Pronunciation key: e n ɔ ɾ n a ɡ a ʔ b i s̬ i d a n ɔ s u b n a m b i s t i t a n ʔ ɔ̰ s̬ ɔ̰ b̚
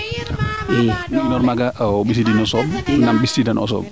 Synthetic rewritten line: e n ɔ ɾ m a ɡ a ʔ b i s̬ i d i n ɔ s ɔ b n a m b i s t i d a n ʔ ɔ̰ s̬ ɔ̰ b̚